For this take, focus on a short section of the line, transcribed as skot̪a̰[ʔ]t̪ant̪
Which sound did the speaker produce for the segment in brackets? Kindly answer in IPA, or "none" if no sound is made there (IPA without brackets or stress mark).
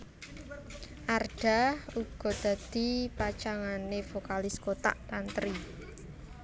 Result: ʔ